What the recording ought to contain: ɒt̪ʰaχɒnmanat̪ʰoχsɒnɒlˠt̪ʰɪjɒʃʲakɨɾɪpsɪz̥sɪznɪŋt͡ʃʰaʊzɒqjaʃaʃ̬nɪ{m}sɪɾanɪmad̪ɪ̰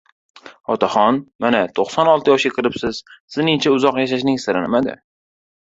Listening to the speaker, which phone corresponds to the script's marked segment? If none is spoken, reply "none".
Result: ŋ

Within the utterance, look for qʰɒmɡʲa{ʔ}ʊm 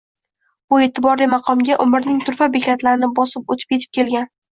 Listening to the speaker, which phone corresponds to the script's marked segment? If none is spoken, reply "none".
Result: ʔ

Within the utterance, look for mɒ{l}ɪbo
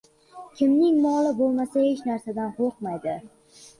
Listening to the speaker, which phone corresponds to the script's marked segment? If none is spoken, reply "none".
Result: l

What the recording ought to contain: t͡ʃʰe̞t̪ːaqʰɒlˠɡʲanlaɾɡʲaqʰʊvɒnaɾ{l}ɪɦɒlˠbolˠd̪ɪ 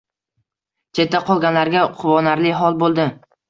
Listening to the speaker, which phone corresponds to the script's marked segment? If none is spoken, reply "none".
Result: l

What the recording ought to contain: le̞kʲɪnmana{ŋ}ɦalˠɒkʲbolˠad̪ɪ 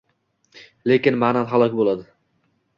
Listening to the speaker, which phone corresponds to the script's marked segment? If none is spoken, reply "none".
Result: n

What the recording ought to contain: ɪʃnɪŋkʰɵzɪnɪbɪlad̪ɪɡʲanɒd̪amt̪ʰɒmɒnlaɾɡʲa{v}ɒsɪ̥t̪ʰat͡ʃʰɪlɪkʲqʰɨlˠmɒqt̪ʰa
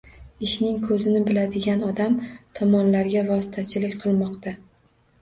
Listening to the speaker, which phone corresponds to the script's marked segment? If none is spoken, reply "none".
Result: v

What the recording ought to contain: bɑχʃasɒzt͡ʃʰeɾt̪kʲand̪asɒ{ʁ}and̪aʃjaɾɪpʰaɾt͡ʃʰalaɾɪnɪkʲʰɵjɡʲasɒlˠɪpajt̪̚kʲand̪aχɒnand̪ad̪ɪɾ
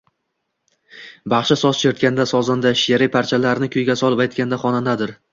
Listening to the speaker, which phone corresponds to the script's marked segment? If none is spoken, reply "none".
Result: z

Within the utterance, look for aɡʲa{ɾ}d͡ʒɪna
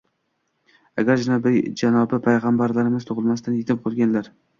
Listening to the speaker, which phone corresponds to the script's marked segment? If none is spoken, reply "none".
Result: ɾ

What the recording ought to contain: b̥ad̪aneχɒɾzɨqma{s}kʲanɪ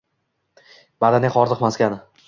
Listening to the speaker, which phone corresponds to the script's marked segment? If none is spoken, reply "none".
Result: s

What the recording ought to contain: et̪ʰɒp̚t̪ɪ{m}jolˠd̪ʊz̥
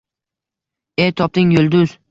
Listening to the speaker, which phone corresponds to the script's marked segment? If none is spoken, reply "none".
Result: ŋ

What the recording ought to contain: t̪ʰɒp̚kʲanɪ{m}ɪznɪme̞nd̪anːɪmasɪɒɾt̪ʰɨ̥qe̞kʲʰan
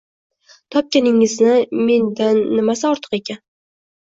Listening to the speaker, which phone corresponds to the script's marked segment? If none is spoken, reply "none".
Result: ŋ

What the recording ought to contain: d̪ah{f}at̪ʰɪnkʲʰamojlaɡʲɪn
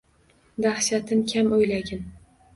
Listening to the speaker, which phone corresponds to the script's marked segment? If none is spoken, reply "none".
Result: ʃ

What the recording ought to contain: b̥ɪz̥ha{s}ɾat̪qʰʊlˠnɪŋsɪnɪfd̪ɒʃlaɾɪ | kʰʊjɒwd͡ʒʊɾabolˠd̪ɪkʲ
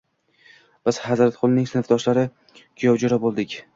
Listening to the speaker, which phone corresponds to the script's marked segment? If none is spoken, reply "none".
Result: z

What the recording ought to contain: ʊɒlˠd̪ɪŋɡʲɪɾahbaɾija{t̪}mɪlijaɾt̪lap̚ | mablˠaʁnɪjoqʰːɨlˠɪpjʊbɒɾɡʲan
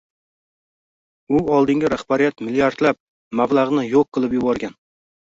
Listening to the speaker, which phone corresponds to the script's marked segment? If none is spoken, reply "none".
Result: t̪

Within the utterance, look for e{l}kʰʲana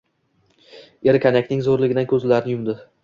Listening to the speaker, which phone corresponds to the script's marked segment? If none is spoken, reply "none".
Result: ɾ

